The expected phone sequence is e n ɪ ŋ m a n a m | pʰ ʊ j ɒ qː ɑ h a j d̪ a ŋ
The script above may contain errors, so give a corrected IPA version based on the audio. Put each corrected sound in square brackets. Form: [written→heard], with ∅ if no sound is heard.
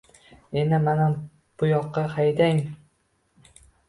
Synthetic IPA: e n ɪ [ŋ→∅] m a n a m | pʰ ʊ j ɒ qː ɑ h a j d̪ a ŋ